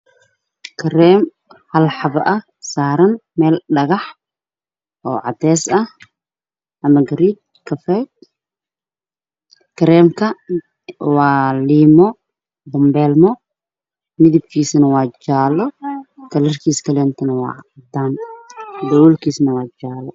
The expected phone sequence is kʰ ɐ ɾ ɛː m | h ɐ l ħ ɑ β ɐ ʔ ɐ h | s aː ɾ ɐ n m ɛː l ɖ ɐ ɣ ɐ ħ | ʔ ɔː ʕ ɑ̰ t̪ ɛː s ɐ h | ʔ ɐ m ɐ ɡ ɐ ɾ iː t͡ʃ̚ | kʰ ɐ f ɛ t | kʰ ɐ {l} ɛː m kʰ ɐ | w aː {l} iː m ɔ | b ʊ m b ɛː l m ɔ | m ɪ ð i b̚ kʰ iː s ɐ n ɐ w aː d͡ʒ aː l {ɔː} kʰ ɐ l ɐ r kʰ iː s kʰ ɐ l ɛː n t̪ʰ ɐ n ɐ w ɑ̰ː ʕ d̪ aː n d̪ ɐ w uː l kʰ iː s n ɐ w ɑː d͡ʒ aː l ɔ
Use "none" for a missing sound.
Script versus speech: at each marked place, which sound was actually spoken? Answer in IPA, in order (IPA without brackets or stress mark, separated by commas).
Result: ɾ, l, ɔ